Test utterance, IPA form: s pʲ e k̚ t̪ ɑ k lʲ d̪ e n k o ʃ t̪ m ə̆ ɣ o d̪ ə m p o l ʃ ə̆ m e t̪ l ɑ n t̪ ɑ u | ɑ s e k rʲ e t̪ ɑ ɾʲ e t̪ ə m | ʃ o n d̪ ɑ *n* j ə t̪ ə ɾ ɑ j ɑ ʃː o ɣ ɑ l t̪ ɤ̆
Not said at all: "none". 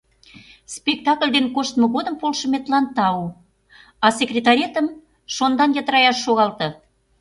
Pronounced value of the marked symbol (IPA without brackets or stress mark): n